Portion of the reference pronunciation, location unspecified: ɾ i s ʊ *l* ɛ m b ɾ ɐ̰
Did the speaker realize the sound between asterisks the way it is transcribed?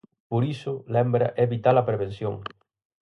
yes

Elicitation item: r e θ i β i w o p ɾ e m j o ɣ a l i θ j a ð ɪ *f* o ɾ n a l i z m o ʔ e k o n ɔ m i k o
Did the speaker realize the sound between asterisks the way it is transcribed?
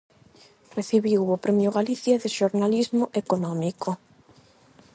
no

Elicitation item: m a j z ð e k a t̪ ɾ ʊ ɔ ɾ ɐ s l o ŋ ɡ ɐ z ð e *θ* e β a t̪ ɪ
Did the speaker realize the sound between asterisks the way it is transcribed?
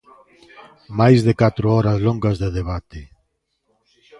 no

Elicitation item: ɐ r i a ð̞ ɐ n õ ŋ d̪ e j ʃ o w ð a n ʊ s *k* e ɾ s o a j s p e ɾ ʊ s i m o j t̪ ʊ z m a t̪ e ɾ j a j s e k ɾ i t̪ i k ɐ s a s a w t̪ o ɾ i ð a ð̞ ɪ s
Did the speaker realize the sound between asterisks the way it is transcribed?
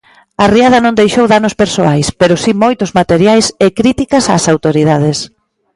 no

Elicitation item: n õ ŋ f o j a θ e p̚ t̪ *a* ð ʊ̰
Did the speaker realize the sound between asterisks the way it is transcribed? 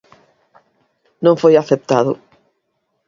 yes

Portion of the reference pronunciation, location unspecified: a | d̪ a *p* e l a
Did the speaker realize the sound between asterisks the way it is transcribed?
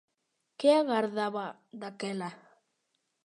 no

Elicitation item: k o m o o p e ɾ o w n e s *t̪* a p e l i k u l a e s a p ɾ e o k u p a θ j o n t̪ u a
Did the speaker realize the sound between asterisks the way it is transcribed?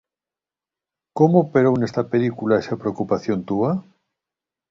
yes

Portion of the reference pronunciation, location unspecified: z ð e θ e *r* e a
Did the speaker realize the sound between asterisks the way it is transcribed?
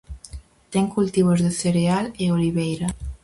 no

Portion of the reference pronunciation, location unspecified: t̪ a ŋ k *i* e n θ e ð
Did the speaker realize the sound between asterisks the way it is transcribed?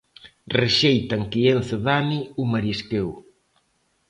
yes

